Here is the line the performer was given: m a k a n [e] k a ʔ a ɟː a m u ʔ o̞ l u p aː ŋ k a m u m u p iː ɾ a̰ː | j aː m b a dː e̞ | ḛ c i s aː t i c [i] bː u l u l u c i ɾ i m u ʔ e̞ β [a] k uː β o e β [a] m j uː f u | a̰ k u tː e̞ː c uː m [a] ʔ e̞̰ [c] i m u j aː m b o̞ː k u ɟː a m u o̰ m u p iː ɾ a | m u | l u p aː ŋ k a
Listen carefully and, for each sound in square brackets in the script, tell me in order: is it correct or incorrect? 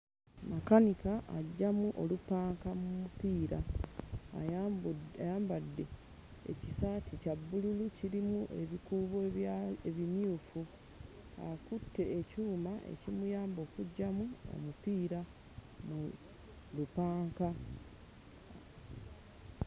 incorrect, incorrect, incorrect, incorrect, correct, correct

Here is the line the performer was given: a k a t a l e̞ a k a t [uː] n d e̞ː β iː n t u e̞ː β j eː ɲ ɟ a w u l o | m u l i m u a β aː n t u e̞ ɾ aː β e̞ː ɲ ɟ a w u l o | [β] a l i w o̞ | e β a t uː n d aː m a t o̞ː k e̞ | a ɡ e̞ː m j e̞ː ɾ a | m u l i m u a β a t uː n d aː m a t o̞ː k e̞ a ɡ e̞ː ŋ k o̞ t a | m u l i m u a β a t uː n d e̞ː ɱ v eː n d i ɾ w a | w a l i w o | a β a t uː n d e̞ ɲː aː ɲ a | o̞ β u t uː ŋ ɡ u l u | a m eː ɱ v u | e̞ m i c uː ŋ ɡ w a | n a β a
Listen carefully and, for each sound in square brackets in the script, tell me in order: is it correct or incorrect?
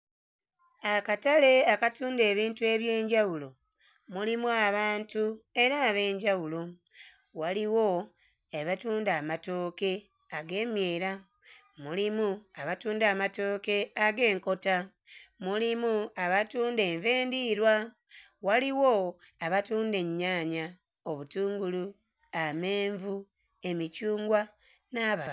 correct, incorrect

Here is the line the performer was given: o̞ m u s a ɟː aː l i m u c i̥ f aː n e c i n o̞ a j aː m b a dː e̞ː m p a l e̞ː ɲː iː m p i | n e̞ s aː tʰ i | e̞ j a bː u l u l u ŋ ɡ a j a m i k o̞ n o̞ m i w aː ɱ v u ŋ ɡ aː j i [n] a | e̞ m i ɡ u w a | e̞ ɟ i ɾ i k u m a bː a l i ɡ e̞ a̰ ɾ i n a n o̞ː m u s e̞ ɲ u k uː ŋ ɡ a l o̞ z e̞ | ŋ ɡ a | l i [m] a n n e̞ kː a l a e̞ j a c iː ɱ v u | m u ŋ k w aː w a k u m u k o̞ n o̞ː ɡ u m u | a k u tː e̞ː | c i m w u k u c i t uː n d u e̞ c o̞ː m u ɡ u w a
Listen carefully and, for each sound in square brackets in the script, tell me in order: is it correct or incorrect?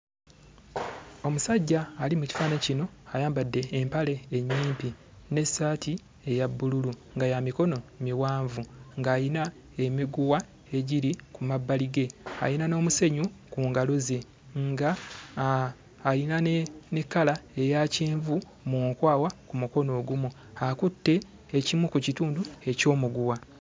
correct, incorrect

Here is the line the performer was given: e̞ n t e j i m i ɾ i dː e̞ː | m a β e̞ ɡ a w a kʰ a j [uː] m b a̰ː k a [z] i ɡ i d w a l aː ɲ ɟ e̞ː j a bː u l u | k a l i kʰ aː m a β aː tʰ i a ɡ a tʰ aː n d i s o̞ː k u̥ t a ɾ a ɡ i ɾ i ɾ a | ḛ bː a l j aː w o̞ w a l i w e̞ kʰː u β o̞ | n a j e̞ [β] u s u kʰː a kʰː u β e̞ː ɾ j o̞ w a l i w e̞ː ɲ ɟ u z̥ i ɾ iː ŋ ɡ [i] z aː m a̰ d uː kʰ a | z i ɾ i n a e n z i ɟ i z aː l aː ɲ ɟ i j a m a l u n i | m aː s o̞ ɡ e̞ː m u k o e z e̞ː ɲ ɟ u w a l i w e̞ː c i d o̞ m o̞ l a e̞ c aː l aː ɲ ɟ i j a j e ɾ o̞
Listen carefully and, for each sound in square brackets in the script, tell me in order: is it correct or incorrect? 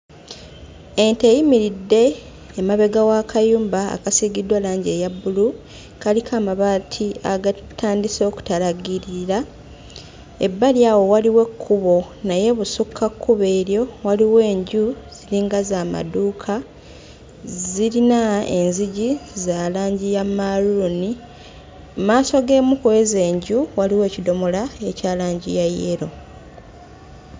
correct, incorrect, correct, incorrect

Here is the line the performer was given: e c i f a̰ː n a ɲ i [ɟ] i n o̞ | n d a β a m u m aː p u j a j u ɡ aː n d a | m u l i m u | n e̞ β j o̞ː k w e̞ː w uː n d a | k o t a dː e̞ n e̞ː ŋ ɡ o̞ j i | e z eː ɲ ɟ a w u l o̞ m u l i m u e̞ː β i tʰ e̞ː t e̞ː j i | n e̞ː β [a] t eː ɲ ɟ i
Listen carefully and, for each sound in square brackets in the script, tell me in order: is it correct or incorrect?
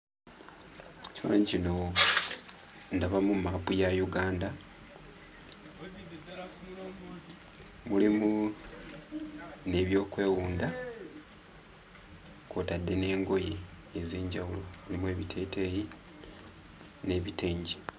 incorrect, incorrect

